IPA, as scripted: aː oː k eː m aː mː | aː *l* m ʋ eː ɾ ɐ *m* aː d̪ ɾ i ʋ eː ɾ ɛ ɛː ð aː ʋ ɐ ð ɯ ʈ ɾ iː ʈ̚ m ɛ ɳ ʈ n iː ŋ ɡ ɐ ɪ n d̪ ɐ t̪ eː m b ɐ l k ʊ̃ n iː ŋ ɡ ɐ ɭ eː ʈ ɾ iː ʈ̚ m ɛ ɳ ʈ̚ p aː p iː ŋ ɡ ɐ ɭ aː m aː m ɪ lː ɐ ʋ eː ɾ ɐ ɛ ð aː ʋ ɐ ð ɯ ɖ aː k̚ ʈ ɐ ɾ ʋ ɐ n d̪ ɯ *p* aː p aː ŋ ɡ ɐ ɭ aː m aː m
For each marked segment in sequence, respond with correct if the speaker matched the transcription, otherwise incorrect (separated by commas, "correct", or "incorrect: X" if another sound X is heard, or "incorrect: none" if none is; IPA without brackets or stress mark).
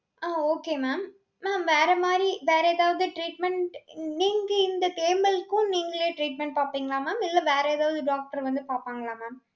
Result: incorrect: none, correct, correct